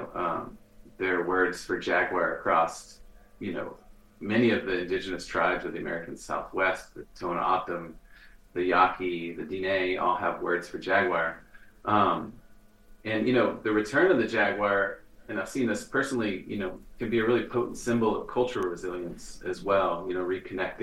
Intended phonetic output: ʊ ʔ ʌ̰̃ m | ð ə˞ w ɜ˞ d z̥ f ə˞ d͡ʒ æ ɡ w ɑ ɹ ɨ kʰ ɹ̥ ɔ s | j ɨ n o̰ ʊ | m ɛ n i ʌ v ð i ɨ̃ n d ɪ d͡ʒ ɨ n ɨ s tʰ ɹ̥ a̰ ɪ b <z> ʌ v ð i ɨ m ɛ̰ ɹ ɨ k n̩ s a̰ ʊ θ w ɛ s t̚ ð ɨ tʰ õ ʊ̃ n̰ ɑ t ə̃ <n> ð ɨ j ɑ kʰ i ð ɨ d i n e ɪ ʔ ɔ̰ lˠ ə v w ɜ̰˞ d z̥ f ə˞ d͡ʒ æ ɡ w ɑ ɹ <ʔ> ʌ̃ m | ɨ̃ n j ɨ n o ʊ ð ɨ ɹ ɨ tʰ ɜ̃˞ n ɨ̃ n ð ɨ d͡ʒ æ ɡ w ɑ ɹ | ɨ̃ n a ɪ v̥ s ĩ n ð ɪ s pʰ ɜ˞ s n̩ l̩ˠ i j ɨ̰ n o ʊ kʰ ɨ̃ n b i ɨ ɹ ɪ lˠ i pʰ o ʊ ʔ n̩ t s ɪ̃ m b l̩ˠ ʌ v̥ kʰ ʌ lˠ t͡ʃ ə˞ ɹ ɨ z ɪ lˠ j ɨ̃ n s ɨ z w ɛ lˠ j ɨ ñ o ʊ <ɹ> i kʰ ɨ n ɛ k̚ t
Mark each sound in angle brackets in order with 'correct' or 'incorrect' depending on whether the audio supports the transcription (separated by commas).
correct, incorrect, correct, correct